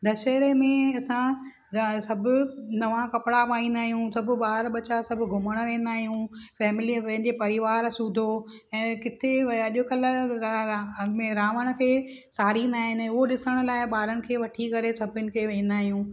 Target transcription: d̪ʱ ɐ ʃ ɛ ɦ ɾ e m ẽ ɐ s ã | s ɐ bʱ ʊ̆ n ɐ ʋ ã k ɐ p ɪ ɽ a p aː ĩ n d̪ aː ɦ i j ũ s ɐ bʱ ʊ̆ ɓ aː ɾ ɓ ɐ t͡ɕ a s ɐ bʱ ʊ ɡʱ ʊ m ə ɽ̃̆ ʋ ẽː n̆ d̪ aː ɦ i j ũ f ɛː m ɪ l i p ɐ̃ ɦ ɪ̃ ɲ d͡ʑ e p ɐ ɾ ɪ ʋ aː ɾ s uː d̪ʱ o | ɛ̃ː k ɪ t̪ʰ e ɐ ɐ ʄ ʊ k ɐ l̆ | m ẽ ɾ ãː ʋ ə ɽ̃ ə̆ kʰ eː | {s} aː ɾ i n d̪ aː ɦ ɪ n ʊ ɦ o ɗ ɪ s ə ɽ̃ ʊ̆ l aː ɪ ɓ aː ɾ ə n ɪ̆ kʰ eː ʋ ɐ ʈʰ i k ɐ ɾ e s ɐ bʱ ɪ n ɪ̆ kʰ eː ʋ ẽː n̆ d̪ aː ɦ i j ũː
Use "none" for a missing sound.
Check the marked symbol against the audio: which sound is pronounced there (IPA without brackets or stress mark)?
s